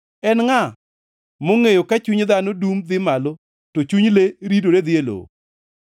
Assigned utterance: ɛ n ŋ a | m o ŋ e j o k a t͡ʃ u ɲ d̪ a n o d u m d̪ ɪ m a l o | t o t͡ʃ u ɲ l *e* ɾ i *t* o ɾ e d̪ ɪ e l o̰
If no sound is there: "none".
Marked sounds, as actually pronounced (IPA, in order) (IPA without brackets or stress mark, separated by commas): e, d